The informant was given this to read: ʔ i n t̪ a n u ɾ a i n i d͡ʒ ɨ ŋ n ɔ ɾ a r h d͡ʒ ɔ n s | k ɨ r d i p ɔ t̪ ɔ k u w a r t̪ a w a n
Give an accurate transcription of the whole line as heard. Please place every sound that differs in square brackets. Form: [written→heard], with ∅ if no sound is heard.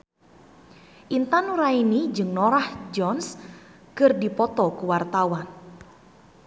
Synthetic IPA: ʔ i n t̪ a n u ɾ a i n i d͡ʒ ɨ ŋ n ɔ ɾ a [r→∅] h d͡ʒ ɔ n s | k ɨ r d i p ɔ t̪ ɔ k u w a r t̪ a w a n